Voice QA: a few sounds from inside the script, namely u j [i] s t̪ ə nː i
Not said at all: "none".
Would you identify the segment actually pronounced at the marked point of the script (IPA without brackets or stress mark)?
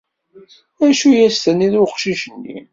æ